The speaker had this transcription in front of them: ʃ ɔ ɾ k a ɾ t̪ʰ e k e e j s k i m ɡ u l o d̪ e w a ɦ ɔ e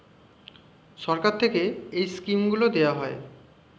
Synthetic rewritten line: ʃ ɔ ɾ k a ɾ t̪ʰ e k e e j s k i m ɡ u l o d̪ e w a ɦ ɔ e